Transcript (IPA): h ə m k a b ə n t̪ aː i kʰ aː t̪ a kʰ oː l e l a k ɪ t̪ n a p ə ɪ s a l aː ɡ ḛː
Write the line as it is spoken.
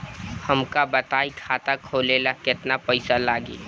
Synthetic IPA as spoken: h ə m k a b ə t̪ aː i kʰ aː t̪ a kʰ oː l e l a k ɪ t̪ n a p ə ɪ s a l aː ɡ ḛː